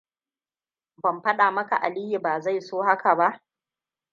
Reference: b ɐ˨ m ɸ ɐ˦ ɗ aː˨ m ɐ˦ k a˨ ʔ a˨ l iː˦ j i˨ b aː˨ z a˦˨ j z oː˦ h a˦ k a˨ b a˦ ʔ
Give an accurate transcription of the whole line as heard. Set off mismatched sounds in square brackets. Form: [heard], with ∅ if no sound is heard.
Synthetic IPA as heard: b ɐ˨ m ɸ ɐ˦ ɗ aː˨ m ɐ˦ k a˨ ʔ a˨ l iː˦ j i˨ b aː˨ z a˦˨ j [s] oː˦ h a˦ k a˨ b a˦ ʔ